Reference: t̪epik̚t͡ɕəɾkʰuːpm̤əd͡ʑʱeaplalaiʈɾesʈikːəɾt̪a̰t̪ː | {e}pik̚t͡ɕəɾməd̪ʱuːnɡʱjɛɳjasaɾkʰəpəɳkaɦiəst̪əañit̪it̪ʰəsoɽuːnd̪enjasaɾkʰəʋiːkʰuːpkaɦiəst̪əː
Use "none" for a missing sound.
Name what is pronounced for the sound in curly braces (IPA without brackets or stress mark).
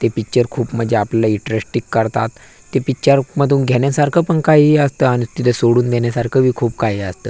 e